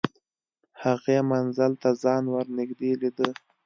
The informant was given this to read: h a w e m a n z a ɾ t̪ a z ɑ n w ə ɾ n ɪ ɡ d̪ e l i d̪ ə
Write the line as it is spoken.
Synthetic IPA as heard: h a ɣ e m a n z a l t̪ a z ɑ n w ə ɾ n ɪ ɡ d̪ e l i d̪ ə